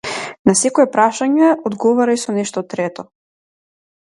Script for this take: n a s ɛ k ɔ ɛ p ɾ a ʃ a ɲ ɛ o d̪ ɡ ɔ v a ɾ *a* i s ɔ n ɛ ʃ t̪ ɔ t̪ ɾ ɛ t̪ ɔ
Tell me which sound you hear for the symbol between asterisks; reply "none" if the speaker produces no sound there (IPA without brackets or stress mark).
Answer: a